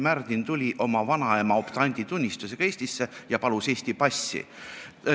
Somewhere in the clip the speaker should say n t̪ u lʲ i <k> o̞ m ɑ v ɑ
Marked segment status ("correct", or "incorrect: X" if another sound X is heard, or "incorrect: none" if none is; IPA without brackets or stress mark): incorrect: ʔ